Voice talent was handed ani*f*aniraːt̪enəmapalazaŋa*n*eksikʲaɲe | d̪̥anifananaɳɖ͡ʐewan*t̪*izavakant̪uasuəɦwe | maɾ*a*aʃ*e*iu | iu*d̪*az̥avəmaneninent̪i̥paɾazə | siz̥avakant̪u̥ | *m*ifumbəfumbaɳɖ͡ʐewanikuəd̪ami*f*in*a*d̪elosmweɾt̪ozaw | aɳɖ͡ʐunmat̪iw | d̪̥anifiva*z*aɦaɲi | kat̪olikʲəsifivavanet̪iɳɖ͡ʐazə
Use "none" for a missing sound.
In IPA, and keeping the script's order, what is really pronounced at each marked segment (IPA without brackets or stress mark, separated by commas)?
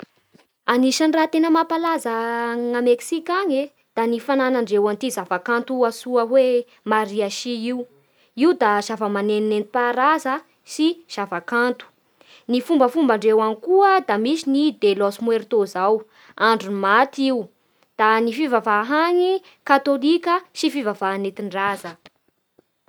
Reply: ʃ, m, t̪, i, i, d̪, n, s, i, v